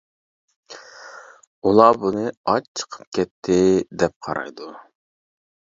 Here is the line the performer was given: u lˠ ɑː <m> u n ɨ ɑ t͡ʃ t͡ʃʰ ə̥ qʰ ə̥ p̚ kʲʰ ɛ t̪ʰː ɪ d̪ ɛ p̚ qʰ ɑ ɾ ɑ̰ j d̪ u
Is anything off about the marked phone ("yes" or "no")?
yes